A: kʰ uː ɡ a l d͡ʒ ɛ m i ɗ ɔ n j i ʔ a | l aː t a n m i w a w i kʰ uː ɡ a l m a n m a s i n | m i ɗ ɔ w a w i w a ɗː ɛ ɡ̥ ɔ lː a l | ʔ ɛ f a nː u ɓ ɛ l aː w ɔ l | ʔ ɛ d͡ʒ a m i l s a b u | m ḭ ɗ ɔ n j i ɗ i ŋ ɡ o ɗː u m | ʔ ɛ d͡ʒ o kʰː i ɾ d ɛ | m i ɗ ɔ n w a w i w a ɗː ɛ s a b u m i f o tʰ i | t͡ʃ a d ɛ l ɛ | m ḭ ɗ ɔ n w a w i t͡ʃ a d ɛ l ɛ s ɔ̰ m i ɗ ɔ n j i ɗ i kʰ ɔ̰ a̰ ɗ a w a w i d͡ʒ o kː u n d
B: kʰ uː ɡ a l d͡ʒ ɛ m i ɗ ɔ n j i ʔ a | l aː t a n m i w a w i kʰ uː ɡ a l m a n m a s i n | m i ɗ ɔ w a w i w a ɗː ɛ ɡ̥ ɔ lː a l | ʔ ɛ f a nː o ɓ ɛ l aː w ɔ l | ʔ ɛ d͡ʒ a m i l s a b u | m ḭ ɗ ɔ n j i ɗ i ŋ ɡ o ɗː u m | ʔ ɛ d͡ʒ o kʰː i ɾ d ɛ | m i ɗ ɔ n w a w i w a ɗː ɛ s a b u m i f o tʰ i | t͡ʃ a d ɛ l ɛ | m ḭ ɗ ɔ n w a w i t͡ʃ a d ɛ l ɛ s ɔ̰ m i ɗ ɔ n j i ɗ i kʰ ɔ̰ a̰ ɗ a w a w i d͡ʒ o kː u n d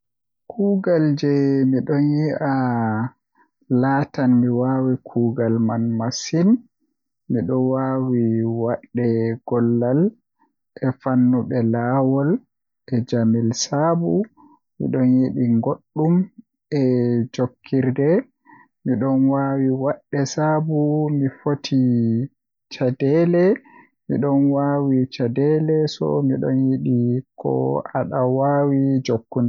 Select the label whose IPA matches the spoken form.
A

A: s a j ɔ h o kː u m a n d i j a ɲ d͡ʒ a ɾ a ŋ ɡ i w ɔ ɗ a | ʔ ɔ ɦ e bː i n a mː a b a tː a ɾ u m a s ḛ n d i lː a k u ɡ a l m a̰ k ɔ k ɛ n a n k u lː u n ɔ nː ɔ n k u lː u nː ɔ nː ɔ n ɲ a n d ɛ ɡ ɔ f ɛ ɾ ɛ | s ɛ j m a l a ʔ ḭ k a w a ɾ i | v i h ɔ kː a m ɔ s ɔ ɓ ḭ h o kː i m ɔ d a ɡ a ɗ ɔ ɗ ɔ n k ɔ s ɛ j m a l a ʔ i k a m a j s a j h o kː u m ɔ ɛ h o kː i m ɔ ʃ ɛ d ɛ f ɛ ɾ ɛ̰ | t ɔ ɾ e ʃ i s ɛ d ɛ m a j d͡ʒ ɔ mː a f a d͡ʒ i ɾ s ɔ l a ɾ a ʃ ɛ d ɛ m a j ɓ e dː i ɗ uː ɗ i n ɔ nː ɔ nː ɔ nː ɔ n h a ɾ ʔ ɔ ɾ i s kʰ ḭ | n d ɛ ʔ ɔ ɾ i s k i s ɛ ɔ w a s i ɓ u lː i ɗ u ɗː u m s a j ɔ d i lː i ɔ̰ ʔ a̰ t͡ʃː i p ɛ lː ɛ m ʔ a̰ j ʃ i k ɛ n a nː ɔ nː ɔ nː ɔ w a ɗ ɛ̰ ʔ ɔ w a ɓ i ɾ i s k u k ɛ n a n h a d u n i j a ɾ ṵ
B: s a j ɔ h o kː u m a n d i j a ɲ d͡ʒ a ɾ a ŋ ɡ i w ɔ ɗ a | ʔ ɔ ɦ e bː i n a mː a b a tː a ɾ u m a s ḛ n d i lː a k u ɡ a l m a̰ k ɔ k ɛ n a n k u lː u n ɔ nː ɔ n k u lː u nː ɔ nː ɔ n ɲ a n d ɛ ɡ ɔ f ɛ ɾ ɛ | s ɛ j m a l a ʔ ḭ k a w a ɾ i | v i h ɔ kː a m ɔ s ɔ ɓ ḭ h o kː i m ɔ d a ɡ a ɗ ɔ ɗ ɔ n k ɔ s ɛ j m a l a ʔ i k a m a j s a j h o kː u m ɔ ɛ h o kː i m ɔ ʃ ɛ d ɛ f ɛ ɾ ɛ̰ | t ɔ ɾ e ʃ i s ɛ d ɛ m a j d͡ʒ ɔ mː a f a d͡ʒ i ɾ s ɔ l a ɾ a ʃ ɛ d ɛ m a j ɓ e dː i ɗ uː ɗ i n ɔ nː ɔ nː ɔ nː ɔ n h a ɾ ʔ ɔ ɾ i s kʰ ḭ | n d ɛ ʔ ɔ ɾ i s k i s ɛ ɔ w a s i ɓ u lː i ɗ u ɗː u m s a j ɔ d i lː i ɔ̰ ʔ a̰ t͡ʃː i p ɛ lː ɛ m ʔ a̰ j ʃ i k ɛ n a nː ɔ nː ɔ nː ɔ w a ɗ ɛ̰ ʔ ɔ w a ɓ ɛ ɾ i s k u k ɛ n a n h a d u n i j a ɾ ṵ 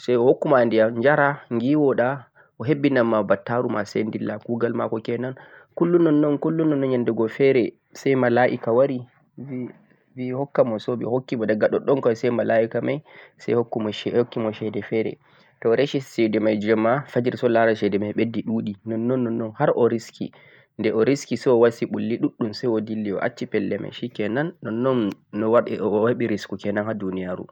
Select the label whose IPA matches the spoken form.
A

